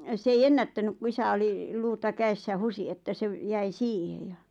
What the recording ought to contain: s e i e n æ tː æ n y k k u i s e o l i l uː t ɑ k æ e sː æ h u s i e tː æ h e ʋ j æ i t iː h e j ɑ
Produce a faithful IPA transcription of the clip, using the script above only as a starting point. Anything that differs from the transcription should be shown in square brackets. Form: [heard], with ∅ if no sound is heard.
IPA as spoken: s e i e [nː] æ tː æ n y k k u i s [æ] o l i l uː t ɑ k æ e sː æ h u s i e tː æ [s] e ʋ j æ i [s] iː h e j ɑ